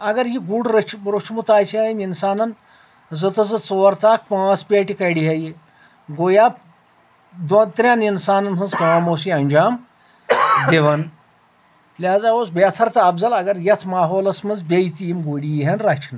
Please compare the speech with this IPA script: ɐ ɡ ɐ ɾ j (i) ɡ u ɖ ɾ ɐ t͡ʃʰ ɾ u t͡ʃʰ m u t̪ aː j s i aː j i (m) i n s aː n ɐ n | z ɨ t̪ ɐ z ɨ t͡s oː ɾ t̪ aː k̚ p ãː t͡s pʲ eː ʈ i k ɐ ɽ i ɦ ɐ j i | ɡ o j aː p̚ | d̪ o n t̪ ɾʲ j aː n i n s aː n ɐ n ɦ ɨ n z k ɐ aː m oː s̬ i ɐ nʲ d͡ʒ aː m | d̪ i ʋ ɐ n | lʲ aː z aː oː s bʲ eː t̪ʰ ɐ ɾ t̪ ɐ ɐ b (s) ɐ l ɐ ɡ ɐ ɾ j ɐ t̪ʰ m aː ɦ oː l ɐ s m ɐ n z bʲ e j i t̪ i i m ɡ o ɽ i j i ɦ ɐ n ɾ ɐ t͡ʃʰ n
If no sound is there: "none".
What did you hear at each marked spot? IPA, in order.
i, m, z

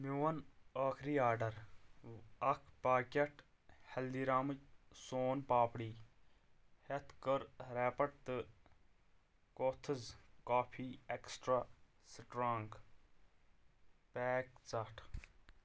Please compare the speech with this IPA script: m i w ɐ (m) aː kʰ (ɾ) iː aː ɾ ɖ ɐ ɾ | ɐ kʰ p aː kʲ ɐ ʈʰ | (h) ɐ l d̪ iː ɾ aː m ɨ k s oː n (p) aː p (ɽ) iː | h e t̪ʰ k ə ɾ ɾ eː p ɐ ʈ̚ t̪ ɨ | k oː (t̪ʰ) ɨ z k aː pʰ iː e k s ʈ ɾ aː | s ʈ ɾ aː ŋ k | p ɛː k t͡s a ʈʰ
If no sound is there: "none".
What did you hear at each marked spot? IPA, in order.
n, ɾ, h, p, ɽ, t̪ʰ

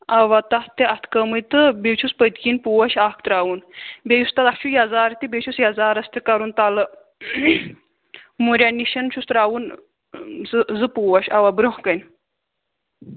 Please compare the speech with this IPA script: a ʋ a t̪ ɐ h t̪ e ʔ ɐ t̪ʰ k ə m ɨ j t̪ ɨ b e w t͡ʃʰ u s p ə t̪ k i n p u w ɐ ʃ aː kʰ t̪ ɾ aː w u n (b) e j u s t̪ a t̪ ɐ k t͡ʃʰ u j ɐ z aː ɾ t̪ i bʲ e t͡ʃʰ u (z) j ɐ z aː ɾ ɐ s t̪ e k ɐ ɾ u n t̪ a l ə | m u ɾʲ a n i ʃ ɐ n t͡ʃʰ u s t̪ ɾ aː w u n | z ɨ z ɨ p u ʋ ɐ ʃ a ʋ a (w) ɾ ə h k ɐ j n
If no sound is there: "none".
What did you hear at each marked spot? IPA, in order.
b, s, b

